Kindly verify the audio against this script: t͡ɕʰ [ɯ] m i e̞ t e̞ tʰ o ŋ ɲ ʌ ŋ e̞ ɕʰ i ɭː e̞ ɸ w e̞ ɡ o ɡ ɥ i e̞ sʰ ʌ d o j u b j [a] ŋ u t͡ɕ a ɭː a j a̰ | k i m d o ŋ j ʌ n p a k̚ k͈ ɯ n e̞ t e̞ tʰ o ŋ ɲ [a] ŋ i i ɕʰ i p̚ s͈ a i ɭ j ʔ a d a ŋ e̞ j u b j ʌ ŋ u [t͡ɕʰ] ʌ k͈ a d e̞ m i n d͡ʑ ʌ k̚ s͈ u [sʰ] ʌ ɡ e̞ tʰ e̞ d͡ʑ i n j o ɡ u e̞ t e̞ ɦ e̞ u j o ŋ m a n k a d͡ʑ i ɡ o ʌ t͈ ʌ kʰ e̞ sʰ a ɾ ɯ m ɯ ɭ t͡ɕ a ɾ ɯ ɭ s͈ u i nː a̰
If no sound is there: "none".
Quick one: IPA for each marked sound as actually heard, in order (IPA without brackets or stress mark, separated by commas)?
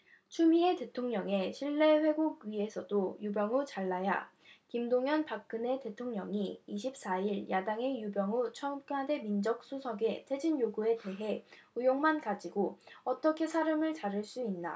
u, ʌ, ʌ, t͡ɕʰ, sʰ